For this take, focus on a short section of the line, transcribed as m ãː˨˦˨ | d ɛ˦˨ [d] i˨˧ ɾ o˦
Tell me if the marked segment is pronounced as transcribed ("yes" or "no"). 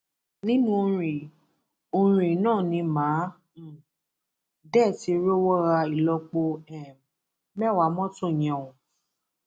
no